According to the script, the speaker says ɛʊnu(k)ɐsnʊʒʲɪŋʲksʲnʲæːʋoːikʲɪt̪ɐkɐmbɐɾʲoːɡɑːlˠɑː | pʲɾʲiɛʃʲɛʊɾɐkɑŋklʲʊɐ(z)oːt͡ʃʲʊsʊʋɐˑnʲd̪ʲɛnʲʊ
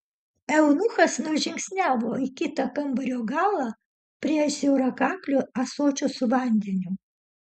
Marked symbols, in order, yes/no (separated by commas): no, no